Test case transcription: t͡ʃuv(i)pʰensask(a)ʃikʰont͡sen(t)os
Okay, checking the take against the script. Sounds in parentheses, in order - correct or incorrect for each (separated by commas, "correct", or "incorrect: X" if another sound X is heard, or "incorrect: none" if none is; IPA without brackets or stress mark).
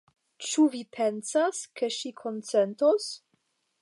correct, incorrect: e, correct